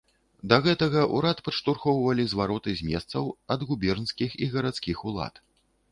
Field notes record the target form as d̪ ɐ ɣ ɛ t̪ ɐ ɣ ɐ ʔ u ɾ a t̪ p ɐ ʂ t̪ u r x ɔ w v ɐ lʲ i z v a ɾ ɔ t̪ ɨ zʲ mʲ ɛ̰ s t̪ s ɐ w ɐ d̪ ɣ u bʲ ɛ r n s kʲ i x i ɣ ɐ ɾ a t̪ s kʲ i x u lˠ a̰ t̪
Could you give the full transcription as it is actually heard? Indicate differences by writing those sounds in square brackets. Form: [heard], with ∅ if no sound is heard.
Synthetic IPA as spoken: d̪ ɐ ɣ ɛ t̪ ɐ ɣ ɐ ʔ u ɾ a t̪ p ɐ ʂ t̪ u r x ɔ w v ɐ lʲ i z v a ɾ ɔ t̪ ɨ zʲ mʲ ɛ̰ s t̪ s ɐ w ɐ d̪ ɣ u bʲ ɛ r n s kʲ i x i ɣ ɐ ɾ a t̪ s kʲ i x u lˠ a̰ t̪

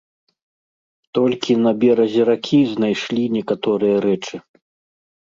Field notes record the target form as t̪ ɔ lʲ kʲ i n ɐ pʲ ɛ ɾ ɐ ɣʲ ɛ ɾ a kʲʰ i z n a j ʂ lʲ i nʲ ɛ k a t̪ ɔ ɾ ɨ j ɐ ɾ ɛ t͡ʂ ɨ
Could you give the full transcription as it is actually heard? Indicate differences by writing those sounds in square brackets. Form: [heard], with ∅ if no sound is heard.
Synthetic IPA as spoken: t̪ ɔ lʲ kʲ i n ɐ [bʲ] ɛ ɾ ɐ [zʲ] ɛ ɾ a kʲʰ i z n a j ʂ lʲ i nʲ ɛ k a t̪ ɔ ɾ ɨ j ɐ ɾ ɛ t͡ʂ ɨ

